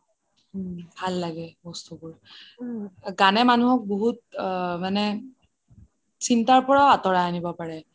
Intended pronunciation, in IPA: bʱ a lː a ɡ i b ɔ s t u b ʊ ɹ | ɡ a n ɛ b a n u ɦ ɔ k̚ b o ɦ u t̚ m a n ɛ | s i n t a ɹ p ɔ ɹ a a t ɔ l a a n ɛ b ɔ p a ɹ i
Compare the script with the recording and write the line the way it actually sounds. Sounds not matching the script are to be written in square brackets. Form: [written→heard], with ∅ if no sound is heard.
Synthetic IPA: bʱ a lː a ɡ [i→ɛ] b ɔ s t u b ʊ ɹ | ɡ a n ɛ [b→m] a n u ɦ ɔ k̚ b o ɦ u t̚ m a n ɛ | s i n t a ɹ p ɔ ɹ a a t ɔ [l→ɹ] a a n [ɛ→i] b ɔ p a ɹ [i→ɛ]